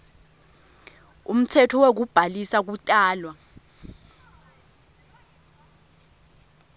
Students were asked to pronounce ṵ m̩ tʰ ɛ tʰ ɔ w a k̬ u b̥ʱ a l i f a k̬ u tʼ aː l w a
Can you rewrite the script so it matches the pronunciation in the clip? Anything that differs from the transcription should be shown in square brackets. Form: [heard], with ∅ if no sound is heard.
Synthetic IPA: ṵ m̩ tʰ ɛ tʰ ɔ w [e] k̬ u b̥ʱ a l i [s] a k̬ u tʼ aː l w a